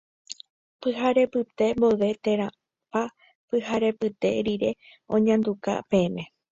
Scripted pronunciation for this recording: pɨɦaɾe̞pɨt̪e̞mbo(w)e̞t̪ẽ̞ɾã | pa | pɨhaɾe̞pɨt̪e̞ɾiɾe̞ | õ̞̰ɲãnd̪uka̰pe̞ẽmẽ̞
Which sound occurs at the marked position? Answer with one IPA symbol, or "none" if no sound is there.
ʋ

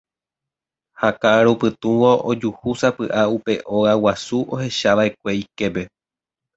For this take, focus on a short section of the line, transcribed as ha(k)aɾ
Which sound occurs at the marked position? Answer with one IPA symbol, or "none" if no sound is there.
k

